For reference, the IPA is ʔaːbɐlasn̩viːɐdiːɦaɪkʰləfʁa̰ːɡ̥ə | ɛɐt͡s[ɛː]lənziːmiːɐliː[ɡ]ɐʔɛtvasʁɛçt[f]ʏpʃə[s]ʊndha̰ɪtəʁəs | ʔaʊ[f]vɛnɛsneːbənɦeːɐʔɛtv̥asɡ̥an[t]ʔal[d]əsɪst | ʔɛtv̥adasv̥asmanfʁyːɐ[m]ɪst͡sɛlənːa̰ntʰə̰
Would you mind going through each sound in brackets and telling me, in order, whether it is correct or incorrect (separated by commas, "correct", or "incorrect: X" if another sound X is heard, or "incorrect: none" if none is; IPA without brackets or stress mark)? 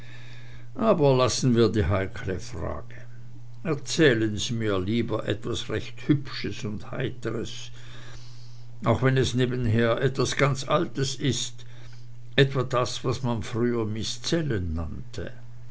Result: correct, incorrect: b, incorrect: h, correct, incorrect: x, incorrect: t͡s, incorrect: t, correct